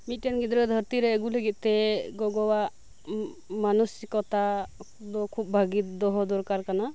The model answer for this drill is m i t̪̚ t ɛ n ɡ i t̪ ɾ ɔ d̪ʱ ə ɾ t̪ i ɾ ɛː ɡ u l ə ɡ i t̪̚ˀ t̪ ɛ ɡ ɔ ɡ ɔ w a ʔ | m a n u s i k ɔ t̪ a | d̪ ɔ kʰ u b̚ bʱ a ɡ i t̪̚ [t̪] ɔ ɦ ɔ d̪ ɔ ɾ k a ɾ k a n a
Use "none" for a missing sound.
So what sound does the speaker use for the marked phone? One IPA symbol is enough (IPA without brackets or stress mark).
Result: d̪